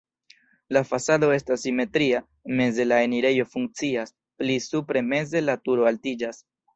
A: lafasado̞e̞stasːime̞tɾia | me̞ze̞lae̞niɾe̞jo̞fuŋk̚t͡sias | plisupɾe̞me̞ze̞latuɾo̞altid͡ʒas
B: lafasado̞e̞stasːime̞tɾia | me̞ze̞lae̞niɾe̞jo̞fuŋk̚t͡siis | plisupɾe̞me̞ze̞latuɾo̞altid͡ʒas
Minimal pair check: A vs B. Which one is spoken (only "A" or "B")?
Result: A